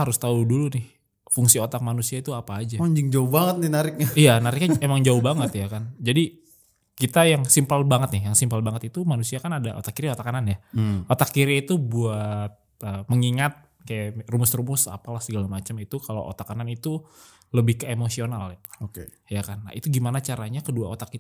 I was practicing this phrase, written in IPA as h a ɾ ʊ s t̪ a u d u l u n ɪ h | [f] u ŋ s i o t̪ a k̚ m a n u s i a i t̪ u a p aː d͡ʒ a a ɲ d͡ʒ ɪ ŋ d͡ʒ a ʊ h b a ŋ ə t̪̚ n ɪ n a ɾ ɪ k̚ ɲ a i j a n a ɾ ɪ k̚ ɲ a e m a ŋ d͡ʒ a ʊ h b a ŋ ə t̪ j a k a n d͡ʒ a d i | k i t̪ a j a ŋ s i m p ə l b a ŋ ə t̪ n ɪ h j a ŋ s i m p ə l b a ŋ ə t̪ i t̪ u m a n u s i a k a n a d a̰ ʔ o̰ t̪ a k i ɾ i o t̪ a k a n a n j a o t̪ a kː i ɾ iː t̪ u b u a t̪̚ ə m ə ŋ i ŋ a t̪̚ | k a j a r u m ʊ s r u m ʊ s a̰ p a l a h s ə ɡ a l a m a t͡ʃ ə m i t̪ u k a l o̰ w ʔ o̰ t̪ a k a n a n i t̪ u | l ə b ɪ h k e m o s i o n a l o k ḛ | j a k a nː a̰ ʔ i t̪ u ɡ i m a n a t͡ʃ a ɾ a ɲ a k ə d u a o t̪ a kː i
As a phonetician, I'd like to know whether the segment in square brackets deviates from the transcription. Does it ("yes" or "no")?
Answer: no